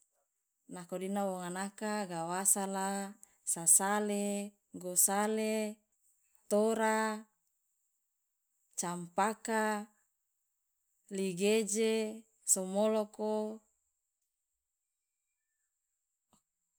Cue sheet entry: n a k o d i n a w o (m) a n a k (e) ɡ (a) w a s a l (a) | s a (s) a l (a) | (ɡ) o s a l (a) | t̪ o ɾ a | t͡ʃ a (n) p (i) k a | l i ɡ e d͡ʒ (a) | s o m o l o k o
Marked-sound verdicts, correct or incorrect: incorrect: ŋ, incorrect: a, correct, correct, correct, incorrect: e, correct, incorrect: e, incorrect: m, incorrect: a, incorrect: e

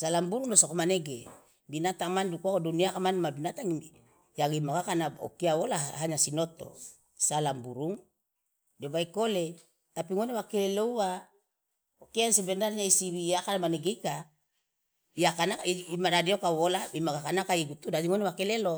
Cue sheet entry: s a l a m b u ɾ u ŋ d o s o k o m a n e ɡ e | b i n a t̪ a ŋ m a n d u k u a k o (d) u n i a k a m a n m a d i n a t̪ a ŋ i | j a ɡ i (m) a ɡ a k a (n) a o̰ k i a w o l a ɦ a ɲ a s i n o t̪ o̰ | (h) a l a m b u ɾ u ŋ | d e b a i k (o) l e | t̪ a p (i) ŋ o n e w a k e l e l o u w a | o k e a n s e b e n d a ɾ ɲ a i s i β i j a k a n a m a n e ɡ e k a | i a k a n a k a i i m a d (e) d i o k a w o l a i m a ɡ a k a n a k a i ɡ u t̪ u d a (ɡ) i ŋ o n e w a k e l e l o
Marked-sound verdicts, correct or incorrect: correct, correct, correct, incorrect: s, correct, correct, incorrect: a, incorrect: d

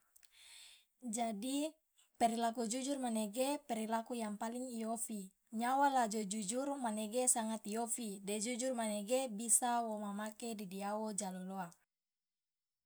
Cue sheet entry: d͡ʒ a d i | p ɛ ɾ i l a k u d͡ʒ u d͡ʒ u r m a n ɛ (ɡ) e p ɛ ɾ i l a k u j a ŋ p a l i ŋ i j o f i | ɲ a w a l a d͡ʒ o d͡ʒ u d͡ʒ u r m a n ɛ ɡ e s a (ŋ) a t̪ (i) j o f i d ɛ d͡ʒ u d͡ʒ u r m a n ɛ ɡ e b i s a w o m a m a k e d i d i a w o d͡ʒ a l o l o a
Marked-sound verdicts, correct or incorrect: correct, correct, correct

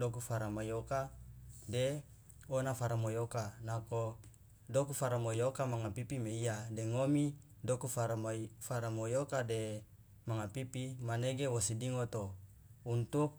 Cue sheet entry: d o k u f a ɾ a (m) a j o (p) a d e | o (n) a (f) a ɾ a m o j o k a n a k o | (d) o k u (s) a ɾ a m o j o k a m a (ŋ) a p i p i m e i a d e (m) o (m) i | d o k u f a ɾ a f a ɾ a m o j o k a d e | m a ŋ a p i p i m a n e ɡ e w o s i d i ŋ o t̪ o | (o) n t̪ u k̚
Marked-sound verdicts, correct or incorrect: correct, incorrect: k, correct, correct, correct, incorrect: f, correct, incorrect: ŋ, correct, incorrect: u

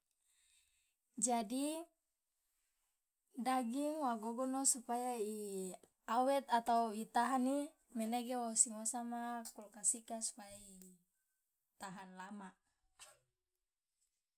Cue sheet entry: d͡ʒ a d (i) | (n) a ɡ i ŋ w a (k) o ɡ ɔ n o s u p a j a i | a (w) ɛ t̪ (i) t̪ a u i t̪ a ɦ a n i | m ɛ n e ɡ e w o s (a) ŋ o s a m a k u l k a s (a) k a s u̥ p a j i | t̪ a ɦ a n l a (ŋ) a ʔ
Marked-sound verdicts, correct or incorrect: correct, incorrect: d, incorrect: ɡ, correct, incorrect: a, incorrect: i, incorrect: i, incorrect: m

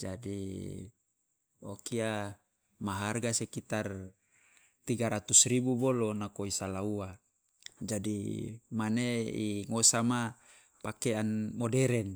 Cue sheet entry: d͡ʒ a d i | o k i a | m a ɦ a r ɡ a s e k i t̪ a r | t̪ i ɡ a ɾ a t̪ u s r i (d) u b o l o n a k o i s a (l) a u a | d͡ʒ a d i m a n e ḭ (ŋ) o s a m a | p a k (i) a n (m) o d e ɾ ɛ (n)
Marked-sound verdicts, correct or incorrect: incorrect: b, correct, correct, incorrect: e, correct, correct

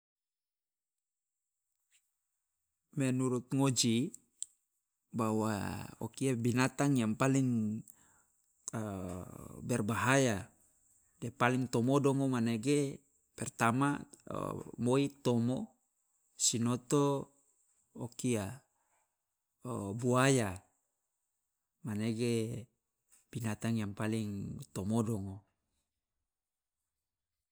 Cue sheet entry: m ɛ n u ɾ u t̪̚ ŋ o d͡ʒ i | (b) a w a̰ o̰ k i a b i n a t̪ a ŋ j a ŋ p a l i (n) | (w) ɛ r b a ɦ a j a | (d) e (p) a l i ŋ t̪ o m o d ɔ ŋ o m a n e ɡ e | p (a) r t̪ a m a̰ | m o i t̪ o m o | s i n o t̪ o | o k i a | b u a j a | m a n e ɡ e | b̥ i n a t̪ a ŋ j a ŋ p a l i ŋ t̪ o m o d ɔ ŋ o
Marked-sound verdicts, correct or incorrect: correct, incorrect: ŋ, incorrect: b, correct, correct, incorrect: ɛ

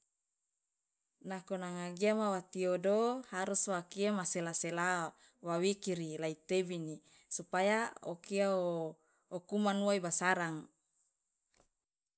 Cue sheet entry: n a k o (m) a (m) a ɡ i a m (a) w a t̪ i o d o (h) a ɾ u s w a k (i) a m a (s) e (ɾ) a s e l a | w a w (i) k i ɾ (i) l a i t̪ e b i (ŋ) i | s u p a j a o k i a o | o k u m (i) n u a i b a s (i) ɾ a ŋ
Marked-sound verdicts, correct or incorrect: incorrect: n, incorrect: ŋ, correct, correct, correct, correct, incorrect: l, correct, correct, incorrect: n, incorrect: a, incorrect: a

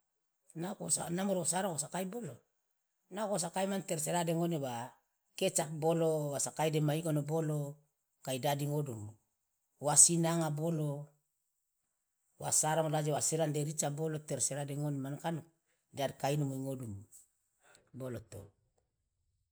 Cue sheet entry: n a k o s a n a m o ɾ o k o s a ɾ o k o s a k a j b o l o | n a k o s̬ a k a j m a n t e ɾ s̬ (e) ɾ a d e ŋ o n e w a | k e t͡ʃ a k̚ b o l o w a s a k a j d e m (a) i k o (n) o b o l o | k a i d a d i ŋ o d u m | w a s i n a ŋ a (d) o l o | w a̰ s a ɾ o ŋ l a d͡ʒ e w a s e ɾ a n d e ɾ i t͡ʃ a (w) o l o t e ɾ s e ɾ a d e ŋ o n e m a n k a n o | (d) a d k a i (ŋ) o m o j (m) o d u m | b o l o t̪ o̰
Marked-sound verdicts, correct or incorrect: correct, correct, correct, incorrect: b, incorrect: b, correct, incorrect: n, incorrect: ŋ

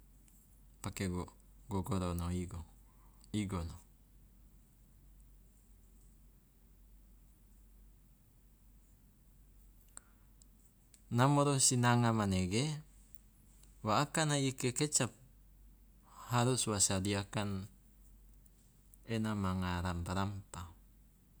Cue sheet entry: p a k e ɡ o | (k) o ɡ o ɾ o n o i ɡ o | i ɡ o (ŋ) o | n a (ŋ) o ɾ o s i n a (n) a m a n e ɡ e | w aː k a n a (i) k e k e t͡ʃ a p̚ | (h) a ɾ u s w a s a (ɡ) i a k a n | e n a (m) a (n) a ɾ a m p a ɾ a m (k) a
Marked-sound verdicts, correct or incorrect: incorrect: ɡ, incorrect: n, incorrect: m, incorrect: ŋ, correct, correct, incorrect: d, correct, incorrect: ŋ, incorrect: p

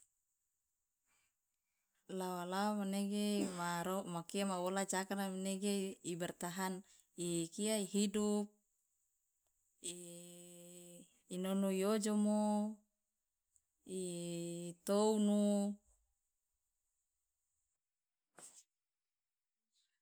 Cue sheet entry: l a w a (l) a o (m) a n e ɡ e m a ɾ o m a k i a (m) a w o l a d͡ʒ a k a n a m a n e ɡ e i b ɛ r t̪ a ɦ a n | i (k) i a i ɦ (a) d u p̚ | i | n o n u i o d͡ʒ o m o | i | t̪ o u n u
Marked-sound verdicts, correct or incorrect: correct, correct, correct, correct, incorrect: i

